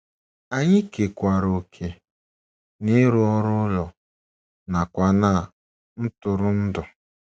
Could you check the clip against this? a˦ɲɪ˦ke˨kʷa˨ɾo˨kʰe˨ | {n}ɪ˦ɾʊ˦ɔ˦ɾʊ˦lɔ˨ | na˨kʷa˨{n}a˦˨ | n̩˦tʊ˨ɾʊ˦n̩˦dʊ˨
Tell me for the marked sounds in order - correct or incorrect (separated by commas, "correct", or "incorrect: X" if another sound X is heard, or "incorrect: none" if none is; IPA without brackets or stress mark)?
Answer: correct, correct